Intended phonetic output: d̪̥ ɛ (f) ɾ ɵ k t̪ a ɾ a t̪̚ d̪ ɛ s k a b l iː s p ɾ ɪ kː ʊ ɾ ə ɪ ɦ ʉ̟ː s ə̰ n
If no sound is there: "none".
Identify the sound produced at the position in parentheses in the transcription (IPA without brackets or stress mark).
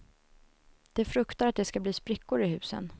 f